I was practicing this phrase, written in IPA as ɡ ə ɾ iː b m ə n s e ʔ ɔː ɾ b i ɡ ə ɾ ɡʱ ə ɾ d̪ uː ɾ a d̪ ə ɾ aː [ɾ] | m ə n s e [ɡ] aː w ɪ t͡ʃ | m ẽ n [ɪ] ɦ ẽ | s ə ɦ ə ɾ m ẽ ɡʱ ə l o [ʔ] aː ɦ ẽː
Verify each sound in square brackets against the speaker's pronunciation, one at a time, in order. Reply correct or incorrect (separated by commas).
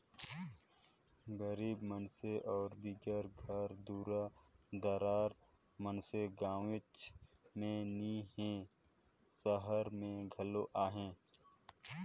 correct, correct, incorrect, correct